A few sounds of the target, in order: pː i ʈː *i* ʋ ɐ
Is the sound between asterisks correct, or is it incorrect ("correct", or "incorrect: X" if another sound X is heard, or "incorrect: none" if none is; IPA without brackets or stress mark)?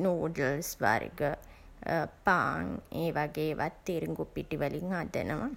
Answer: correct